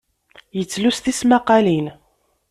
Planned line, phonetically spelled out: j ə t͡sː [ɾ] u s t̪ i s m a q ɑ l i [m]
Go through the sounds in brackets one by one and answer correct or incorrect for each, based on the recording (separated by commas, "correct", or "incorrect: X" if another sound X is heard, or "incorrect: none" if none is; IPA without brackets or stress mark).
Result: incorrect: l, incorrect: n